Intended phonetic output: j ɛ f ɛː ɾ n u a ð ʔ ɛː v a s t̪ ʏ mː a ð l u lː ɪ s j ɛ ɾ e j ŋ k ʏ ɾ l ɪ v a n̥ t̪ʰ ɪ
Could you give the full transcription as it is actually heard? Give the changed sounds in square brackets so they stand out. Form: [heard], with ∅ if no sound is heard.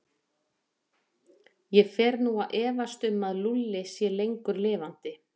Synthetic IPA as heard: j ɛ f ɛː ɾ n u a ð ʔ ɛː v a s t̪ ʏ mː a ð l u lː ɪ s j ɛ [l] e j ŋ k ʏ ɾ l [ɪː] v a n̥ [t̪] ɪ